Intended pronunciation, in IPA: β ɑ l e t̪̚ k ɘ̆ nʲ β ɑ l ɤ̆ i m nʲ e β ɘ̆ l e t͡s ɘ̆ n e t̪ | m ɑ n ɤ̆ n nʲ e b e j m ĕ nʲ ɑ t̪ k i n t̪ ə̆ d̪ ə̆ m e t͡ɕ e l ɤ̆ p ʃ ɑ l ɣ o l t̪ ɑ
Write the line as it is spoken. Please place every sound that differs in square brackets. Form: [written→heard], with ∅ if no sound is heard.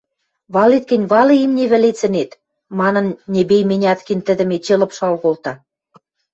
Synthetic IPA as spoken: β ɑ l e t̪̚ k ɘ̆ nʲ β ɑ l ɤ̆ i m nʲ e β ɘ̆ l e t͡s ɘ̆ n e t̪ | m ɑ n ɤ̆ n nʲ e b e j m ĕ nʲ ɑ t̪ k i n t̪ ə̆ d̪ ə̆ m e t͡ɕ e l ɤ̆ p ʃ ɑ l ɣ o l t̪ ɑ